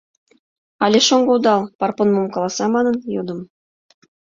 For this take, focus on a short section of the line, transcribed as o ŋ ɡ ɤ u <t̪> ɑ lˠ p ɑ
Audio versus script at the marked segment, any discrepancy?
yes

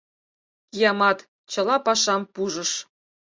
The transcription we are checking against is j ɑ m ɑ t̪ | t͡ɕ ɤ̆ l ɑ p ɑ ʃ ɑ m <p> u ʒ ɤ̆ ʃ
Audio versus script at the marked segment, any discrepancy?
no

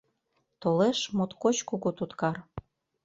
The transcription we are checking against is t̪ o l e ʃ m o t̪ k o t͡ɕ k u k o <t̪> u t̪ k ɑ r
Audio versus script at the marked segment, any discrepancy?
no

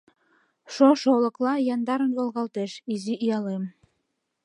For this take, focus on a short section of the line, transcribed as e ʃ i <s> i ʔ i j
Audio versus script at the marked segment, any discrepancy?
yes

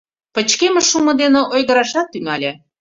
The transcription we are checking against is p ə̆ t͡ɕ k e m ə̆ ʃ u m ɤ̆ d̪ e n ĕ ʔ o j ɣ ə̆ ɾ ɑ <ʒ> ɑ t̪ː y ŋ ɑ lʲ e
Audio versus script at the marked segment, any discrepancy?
yes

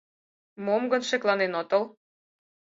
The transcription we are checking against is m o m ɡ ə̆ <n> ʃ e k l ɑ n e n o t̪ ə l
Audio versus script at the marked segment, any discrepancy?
no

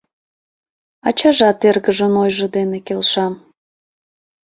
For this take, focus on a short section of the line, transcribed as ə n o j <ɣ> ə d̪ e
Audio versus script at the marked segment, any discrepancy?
yes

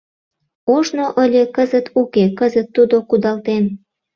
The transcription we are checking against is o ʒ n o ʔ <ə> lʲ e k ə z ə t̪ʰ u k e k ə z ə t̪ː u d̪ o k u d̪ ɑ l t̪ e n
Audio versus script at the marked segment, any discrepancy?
no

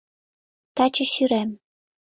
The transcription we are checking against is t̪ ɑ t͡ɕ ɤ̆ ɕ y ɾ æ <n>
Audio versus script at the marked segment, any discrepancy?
yes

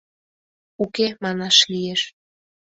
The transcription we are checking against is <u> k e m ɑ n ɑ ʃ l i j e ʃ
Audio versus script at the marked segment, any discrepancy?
no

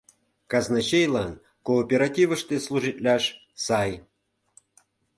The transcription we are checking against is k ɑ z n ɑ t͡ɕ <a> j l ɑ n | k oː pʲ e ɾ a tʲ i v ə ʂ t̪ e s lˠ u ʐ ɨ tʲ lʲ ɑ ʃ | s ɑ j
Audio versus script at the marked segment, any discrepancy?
yes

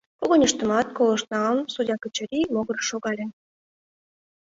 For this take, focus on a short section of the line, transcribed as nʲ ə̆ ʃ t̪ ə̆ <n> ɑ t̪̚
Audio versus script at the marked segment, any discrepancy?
yes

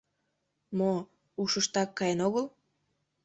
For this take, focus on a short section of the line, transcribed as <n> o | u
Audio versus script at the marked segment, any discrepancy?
yes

